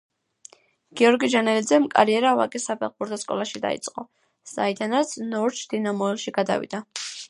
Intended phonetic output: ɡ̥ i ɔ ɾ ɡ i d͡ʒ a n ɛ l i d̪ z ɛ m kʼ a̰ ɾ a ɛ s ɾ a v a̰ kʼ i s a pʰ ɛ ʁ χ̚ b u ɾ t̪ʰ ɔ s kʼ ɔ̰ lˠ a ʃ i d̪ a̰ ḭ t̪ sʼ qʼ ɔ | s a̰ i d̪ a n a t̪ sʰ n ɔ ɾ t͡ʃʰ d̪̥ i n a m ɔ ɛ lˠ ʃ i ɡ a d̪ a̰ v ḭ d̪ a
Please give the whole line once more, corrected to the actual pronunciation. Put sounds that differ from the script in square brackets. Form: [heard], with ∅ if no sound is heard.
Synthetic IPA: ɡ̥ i ɔ ɾ ɡ i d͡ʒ a n ɛ l i d̪ z ɛ m kʼ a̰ ɾ [i] ɛ [∅] ɾ a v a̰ kʼ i s a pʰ ɛ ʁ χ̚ b u ɾ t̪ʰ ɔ s kʼ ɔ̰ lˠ a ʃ i d̪ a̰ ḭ t̪ sʼ qʼ ɔ | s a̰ i d̪ a n a t̪ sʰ n ɔ ɾ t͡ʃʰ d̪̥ i n a m ɔ ɛ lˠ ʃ i ɡ a d̪ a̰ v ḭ d̪ a